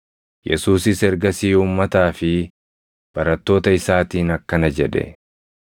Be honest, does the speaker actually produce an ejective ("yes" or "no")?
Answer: no